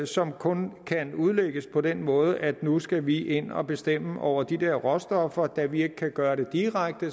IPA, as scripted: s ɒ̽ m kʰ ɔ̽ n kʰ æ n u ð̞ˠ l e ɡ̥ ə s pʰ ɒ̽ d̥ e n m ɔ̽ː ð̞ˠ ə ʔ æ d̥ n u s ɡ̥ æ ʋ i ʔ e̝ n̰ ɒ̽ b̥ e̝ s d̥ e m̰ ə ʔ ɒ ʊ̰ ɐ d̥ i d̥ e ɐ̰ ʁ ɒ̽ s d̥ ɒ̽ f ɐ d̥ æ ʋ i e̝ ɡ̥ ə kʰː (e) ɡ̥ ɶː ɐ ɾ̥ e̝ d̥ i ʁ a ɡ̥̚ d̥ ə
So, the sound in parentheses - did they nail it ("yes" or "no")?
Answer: no